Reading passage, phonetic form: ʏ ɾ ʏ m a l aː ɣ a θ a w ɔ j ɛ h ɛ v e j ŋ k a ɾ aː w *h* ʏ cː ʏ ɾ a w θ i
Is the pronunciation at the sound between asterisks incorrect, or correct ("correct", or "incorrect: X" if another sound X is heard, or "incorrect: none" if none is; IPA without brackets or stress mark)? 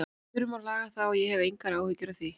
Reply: correct